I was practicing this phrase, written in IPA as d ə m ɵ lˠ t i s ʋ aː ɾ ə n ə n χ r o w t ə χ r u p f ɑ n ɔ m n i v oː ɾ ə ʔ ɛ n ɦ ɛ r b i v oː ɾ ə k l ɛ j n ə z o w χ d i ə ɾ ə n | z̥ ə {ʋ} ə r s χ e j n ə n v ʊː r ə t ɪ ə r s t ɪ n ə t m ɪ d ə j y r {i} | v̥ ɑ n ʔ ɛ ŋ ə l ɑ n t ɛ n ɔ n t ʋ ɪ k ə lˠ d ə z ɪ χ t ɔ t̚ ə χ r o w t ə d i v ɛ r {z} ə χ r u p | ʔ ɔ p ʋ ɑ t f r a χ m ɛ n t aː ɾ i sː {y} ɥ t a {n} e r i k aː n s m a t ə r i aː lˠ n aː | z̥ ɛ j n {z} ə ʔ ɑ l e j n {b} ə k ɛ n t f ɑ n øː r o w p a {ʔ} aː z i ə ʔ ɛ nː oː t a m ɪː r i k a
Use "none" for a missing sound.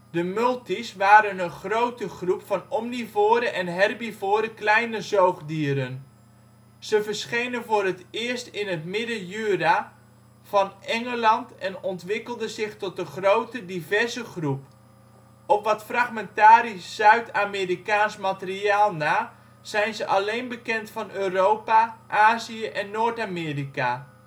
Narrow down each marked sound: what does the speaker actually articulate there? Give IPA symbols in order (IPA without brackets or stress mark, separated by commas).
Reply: v, a, z, œ, m, z, b, ʔ